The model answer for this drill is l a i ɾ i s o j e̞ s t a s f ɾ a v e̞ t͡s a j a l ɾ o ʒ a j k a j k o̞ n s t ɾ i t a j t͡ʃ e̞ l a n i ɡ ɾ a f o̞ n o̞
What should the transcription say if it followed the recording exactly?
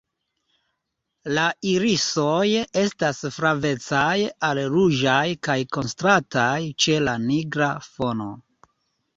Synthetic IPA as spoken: l a i ɾ i s o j e̞ s t a s f ɾ a v e̞ t͡s a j a l ɾ u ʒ a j k a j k o̞ n s t ɾ a t a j t͡ʃ e̞ l a n i ɡ ɾ a f o̞ n o̞